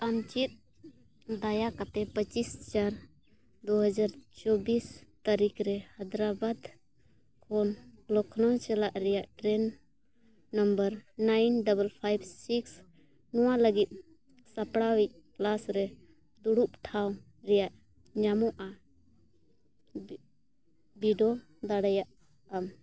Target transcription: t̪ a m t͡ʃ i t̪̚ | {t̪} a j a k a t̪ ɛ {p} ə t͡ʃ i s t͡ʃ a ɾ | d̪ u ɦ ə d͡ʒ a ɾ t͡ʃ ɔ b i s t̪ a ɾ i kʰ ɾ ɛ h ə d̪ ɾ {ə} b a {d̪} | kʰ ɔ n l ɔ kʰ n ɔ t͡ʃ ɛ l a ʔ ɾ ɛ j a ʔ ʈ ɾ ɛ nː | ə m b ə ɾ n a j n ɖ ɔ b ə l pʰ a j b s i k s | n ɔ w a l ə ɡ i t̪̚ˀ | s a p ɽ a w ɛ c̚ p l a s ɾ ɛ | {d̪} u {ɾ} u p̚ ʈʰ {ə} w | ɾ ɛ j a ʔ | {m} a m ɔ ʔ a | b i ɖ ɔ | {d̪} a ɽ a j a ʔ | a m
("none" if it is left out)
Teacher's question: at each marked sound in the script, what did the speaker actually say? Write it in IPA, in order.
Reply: d̪, p, a, d̪, d̪, ɽ, a, ɲ, d̪

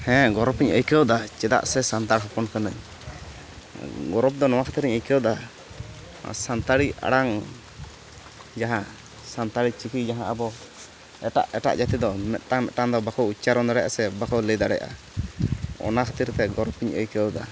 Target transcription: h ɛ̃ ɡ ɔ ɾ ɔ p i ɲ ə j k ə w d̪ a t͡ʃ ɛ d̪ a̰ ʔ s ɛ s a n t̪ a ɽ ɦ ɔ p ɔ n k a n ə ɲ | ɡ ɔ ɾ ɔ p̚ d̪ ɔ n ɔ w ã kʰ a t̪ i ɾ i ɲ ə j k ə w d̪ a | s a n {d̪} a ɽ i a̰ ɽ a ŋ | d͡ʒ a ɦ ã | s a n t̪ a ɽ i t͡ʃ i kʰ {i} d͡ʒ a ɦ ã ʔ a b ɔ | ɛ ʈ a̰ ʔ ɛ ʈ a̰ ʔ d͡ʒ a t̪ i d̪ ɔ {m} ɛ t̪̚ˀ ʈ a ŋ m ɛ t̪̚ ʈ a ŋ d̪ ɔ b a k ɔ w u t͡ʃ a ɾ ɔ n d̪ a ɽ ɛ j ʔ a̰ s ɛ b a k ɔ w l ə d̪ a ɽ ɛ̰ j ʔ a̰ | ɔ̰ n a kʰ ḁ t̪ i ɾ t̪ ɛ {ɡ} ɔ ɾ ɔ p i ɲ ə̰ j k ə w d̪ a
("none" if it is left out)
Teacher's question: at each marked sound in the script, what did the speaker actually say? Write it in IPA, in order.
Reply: t̪, i, m, ɡ

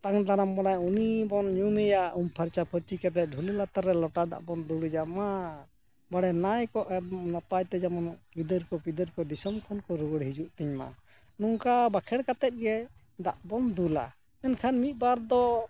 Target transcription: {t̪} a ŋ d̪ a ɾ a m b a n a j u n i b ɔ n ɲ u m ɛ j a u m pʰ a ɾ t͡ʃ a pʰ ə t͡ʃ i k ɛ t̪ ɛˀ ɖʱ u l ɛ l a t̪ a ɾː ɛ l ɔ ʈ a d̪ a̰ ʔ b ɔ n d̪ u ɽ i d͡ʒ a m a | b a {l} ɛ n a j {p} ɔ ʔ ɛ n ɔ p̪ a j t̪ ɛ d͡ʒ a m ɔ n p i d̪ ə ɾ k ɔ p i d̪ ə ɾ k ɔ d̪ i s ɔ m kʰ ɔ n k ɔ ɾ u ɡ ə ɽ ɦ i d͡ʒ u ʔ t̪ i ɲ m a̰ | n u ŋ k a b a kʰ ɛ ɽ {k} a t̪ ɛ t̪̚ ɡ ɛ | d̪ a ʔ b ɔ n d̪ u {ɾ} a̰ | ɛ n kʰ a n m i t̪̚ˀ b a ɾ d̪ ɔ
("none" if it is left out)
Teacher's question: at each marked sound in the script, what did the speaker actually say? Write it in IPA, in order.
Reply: t̪, ɽ, k, k, l

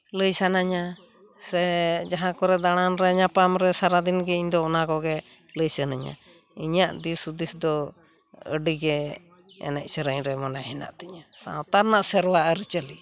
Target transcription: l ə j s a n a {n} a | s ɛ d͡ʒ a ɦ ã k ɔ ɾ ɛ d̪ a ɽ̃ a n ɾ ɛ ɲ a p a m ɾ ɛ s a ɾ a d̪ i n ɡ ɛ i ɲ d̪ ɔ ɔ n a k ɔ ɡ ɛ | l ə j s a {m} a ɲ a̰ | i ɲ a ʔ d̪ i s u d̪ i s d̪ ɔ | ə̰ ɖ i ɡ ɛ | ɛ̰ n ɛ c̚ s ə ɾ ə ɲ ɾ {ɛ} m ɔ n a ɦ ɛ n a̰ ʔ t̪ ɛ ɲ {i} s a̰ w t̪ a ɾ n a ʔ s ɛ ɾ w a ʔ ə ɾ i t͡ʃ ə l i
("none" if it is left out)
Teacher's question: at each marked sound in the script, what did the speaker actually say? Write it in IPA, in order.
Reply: ɲ, n, ɛ, a

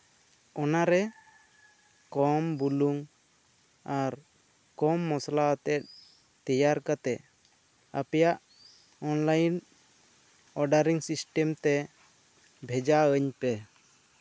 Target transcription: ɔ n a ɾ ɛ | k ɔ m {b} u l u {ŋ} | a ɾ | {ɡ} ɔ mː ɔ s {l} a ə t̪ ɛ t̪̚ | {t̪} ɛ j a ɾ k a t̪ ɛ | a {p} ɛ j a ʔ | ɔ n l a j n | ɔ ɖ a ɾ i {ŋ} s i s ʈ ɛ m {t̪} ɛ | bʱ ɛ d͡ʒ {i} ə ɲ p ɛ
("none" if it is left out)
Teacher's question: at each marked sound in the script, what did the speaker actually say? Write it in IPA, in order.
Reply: b, ŋ, k, l, t̪, p, ŋ, t̪, a

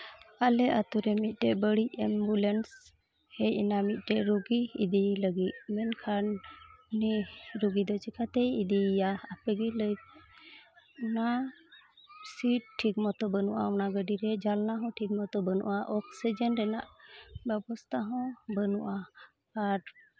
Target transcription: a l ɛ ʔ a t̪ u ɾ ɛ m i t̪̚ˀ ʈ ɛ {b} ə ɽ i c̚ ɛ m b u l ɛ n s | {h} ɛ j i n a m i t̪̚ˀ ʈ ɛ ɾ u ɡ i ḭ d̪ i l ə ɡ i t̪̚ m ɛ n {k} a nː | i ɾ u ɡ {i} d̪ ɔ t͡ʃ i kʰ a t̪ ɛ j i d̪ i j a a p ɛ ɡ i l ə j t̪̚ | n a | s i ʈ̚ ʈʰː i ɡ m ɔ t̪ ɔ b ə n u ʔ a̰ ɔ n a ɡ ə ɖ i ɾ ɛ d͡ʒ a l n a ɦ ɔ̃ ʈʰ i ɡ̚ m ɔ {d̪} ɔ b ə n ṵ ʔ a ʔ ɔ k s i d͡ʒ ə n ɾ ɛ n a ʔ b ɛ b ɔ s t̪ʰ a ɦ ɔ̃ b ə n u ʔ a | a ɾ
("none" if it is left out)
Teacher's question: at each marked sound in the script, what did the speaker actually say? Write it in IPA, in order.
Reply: b, h, kʰ, i, t̪

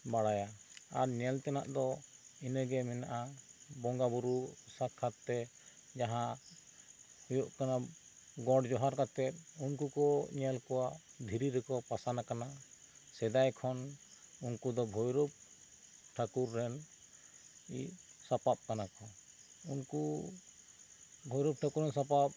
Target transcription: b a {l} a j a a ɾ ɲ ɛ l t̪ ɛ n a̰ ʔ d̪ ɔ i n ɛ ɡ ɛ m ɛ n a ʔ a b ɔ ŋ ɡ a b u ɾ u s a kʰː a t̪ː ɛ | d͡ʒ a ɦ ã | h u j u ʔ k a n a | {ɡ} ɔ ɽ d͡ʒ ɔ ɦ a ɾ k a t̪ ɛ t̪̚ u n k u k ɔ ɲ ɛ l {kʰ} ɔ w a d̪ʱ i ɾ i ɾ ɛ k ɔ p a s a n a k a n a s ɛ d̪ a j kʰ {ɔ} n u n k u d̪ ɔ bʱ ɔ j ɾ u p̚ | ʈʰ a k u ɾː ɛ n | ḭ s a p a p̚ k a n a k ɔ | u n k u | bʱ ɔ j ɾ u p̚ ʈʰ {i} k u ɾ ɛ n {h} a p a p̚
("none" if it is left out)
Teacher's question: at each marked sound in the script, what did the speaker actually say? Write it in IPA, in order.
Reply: ɽ, ɡ, k, ɔ, a, s

